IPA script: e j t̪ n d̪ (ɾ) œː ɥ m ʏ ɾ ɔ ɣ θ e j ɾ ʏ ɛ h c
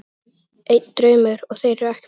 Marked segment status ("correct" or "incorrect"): correct